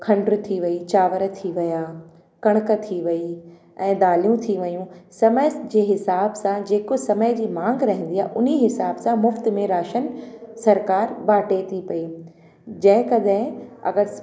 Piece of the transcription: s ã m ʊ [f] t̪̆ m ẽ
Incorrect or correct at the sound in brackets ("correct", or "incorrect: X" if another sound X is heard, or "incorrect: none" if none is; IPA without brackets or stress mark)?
correct